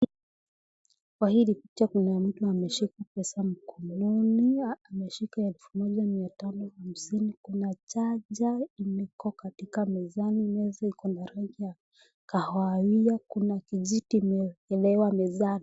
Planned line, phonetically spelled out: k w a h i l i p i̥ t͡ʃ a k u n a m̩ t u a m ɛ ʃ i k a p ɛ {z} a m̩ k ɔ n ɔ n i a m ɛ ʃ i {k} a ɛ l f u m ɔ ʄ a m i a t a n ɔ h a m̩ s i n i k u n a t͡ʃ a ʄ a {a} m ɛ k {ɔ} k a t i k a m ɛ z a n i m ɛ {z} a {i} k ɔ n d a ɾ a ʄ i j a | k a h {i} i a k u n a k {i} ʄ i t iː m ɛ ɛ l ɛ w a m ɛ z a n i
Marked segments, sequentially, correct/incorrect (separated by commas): incorrect, correct, incorrect, correct, correct, correct, incorrect, correct